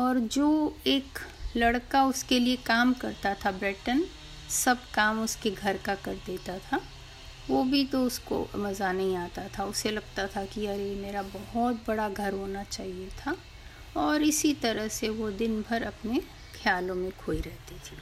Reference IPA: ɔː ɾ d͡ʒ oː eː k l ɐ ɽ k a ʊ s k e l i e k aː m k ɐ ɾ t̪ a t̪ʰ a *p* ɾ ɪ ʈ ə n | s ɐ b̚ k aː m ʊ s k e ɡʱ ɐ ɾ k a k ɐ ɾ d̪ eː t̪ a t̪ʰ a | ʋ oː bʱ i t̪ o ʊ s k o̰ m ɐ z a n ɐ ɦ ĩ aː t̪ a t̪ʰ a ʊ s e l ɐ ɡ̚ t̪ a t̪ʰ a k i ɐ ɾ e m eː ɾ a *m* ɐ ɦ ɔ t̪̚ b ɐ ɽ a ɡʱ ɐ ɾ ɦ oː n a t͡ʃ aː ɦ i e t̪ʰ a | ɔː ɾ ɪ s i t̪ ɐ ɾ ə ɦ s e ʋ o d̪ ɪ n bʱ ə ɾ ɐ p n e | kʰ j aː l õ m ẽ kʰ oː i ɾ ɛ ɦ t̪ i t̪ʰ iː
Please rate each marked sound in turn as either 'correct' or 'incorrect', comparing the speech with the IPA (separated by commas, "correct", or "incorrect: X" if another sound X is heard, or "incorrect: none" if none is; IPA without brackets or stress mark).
incorrect: b, incorrect: b